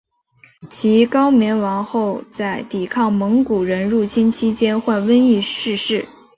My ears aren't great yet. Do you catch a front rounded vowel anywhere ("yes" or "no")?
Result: no